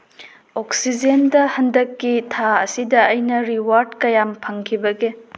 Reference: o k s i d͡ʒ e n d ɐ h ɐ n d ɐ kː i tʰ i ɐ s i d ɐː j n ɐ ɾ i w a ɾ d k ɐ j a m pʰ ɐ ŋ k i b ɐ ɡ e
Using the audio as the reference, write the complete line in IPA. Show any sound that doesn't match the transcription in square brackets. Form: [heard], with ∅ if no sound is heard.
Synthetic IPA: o k s i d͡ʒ e n d ɐ h ɐ n d ɐ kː i tʰ [a] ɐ s i d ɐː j n ɐ ɾ i w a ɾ d k ɐ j a m pʰ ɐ ŋ [kʰ] i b ɐ ɡ e